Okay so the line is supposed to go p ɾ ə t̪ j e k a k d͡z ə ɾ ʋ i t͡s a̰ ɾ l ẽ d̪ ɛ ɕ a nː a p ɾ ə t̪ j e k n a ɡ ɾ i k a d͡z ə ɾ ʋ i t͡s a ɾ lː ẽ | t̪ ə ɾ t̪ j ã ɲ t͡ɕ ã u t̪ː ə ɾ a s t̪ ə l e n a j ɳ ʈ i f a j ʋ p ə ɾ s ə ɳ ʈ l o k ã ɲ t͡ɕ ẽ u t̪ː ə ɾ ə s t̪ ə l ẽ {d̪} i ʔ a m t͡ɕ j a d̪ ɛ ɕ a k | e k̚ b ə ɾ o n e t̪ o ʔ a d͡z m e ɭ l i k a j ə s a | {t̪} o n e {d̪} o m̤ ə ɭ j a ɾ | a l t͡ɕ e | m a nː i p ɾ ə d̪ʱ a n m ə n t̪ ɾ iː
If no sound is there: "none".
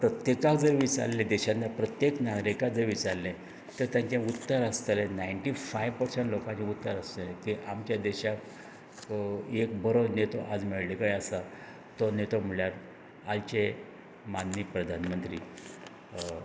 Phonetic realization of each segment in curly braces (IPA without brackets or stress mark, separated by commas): t̪, t̪, t̪